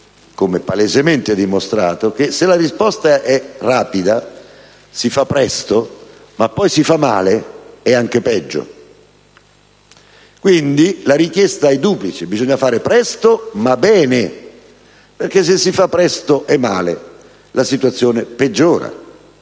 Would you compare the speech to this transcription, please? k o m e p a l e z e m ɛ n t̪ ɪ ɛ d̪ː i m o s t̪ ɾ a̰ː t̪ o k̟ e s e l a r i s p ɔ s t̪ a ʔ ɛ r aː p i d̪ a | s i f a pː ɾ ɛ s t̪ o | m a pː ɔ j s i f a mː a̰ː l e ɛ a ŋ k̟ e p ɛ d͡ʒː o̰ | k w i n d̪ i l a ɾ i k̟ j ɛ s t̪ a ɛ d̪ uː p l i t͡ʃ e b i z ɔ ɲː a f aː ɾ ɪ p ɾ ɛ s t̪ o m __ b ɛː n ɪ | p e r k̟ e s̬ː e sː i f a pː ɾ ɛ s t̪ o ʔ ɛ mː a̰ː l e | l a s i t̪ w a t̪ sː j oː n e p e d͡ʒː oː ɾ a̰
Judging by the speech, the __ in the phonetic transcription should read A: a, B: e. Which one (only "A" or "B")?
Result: A